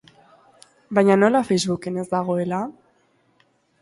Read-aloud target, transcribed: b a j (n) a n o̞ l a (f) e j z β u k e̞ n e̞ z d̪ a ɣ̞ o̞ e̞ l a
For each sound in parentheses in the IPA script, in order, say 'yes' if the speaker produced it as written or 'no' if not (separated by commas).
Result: no, yes